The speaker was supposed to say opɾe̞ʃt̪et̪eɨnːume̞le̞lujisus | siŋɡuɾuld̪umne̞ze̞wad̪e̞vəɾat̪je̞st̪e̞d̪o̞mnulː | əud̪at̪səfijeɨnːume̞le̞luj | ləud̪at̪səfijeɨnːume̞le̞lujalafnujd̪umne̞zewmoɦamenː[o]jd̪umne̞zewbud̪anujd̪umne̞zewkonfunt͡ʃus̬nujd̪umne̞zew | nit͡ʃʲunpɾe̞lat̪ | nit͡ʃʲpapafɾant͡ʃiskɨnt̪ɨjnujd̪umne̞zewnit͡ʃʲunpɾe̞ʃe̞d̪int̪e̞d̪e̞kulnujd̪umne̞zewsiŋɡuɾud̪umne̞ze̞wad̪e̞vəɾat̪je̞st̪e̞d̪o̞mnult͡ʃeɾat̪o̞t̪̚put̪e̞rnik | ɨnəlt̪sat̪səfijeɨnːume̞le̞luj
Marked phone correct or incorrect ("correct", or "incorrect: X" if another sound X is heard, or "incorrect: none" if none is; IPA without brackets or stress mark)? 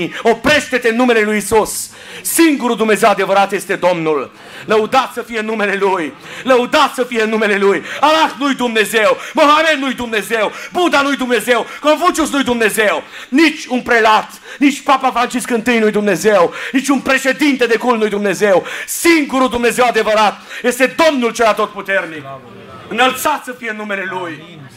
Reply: incorrect: u